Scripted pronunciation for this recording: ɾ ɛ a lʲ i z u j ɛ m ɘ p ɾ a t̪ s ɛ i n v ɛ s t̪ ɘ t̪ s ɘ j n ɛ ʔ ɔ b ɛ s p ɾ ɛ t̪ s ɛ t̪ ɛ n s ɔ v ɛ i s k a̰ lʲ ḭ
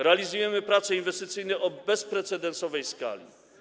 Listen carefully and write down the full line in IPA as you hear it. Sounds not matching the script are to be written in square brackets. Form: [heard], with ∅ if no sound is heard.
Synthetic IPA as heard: ɾ ɛ a lʲ i z u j ɛ m ɘ p ɾ a t̪ s ɛ i n v ɛ s t̪ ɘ t̪ s ɘ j n ɛ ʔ ɔ b ɛ s p ɾ ɛ t̪ s ɛ [d̪] ɛ n s ɔ v ɛ [j] s k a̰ lʲ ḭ